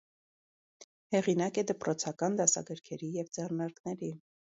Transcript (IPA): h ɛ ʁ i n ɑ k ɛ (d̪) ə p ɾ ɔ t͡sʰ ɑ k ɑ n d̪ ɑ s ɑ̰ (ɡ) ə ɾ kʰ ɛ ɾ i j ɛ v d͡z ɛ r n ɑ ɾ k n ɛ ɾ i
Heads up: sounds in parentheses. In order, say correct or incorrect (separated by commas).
correct, correct